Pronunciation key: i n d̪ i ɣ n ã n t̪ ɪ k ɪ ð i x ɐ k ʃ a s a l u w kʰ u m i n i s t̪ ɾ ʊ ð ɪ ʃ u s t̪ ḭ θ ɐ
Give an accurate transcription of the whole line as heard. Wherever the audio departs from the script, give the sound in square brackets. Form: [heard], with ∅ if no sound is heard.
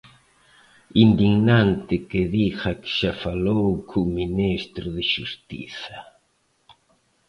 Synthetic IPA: i n d̪ i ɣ n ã n t̪ ɪ k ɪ ð i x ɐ k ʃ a [f] a l [o] w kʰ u m i n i s t̪ ɾ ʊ ð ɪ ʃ u s t̪ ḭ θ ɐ